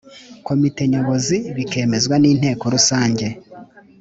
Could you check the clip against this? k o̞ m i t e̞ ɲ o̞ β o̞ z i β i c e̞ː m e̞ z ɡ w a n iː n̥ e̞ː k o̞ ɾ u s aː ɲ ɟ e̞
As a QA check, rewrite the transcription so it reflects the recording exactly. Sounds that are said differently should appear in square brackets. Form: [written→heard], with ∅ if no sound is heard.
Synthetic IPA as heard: k o̞ m i t e̞ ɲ o̞ β o̞ z i β i [c→k] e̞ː m e̞ z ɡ w a n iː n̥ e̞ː k o̞ ɾ u s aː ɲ ɟ e̞